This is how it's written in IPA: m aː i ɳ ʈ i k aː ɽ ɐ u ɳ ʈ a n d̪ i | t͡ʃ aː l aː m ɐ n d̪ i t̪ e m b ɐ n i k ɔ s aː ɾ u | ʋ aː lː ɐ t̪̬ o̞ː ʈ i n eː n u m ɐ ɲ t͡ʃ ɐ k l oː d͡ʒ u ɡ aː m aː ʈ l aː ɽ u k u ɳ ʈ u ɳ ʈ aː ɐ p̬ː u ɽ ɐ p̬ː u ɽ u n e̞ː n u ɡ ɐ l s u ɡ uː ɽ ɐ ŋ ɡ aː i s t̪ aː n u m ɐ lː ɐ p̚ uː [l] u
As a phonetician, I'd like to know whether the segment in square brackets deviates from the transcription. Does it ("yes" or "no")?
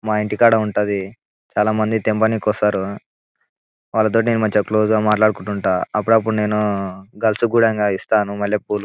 no